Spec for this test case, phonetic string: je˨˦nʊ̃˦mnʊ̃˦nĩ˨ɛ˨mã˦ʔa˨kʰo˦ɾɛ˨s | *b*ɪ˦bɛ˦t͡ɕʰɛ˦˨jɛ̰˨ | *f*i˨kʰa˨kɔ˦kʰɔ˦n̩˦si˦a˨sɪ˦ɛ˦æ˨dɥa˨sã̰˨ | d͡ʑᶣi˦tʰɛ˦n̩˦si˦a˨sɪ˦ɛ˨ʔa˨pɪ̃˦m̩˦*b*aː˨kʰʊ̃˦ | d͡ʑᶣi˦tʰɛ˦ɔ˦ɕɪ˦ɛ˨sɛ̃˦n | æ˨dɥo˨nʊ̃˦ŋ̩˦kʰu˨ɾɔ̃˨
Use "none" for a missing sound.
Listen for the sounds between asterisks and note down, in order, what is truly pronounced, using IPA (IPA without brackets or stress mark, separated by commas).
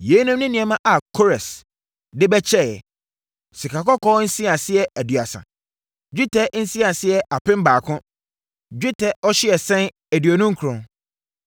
d, s, b